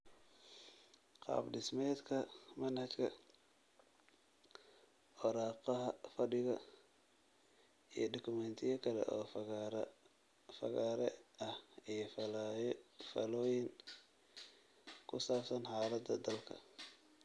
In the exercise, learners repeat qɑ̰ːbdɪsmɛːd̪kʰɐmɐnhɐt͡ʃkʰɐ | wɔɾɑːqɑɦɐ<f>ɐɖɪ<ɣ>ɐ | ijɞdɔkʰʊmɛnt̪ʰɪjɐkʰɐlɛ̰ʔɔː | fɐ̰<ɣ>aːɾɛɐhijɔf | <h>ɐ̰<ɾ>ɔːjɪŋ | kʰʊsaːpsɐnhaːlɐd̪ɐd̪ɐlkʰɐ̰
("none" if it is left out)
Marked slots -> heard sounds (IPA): f, ɣ, ɣ, f, l

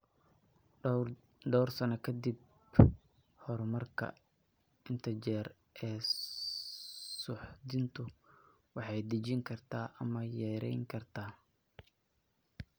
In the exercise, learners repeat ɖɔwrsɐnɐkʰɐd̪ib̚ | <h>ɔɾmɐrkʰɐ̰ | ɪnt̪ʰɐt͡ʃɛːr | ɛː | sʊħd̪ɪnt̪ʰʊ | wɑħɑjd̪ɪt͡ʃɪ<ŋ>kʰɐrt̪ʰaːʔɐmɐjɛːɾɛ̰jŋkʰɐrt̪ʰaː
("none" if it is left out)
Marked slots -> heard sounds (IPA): h, ŋ

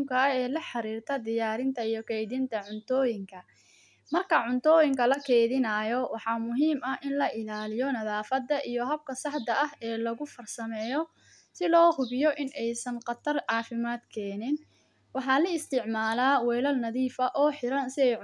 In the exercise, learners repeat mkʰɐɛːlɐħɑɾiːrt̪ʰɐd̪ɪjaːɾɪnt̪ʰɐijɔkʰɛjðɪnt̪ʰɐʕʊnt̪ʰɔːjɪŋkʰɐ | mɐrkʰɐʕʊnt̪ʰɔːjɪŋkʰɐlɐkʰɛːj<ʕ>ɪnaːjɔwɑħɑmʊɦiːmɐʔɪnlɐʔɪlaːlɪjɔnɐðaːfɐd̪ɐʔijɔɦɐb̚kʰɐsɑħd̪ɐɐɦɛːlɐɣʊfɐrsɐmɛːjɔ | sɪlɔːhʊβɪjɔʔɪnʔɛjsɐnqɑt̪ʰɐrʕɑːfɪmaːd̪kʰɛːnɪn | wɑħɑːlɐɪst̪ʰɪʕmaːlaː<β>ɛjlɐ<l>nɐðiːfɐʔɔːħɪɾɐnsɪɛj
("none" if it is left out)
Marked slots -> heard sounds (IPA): ð, w, l

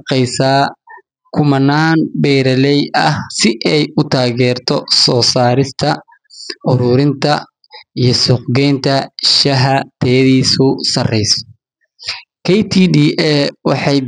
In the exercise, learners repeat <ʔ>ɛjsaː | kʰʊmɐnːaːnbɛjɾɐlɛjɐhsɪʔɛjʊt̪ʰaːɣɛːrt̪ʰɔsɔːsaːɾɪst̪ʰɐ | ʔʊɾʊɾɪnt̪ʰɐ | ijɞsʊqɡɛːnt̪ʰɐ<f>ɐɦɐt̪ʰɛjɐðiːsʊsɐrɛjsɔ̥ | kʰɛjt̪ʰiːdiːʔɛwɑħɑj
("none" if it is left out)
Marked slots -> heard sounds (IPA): q, ʃ

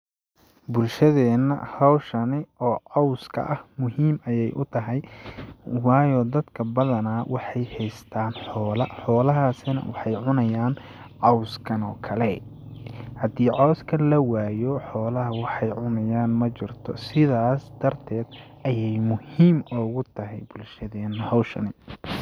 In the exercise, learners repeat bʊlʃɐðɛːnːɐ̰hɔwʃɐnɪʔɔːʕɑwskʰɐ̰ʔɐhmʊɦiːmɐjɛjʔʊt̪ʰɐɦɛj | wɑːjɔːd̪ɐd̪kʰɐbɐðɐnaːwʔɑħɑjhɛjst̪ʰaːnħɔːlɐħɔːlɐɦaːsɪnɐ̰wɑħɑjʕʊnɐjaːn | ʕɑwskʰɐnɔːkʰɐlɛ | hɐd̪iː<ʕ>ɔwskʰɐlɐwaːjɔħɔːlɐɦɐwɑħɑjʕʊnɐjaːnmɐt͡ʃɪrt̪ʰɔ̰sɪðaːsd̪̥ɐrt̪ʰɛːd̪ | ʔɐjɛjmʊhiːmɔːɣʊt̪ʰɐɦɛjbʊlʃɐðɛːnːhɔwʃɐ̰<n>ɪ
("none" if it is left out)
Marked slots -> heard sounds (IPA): ʕ, n

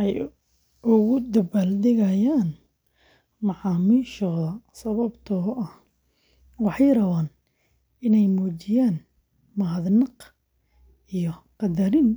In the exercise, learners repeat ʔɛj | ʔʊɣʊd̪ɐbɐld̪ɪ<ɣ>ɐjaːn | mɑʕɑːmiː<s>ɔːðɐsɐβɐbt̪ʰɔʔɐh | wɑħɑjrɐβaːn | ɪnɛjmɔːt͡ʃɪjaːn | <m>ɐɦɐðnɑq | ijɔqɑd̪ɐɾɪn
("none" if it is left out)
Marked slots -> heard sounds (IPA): ɣ, ʃ, m

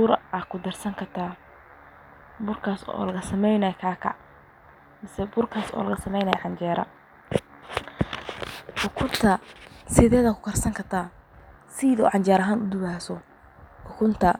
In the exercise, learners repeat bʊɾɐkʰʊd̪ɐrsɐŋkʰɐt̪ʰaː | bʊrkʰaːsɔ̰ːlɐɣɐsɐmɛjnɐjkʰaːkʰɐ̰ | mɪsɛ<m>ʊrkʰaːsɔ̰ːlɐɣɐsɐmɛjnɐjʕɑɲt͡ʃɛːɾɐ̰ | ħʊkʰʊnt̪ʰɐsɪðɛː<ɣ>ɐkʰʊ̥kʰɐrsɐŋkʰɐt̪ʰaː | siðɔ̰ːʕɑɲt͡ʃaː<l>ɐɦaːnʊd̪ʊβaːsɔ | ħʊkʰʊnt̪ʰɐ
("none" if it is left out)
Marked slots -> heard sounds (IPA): b, ð, ɾ

